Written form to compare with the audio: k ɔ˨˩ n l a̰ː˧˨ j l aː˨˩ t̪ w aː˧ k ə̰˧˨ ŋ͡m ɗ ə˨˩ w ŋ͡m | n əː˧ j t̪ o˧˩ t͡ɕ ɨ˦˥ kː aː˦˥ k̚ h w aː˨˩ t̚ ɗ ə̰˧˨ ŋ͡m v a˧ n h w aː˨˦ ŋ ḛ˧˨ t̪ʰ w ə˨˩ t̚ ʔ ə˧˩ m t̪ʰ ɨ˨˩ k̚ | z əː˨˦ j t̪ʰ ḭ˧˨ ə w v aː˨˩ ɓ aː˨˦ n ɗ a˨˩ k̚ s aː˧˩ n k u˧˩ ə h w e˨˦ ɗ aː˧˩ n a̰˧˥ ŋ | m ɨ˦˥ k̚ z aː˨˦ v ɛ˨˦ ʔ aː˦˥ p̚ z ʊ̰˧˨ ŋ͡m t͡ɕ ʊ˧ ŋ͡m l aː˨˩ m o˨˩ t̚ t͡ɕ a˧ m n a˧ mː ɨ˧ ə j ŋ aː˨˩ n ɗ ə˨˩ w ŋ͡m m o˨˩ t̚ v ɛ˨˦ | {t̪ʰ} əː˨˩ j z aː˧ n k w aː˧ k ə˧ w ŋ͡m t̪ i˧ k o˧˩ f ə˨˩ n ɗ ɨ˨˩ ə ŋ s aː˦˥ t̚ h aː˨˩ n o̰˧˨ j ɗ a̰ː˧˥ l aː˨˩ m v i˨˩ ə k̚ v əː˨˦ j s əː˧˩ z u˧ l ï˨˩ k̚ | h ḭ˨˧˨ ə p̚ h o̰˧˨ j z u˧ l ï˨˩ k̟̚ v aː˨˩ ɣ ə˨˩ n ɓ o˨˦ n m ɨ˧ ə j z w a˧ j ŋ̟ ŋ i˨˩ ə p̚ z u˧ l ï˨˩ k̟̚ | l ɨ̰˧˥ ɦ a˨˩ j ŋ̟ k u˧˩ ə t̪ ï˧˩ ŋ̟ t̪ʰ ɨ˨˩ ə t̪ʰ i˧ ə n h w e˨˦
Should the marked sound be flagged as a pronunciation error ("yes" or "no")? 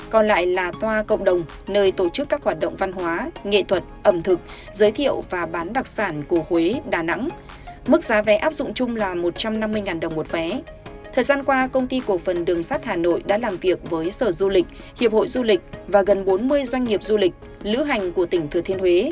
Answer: no